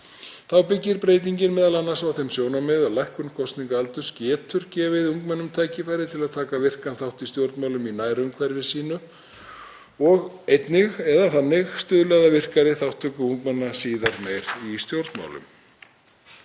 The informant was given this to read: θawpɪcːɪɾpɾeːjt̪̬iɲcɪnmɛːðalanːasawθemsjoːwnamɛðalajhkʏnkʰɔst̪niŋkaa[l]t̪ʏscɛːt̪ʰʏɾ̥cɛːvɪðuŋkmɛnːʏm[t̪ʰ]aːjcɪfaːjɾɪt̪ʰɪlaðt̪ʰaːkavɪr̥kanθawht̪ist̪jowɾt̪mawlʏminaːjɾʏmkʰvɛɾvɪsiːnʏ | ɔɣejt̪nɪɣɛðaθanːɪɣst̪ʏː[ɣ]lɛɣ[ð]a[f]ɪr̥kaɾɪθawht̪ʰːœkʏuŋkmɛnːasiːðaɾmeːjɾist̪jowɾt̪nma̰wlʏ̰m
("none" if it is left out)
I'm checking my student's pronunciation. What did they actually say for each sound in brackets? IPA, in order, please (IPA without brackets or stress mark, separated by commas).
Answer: l, t̪ʰ, ð, ð, v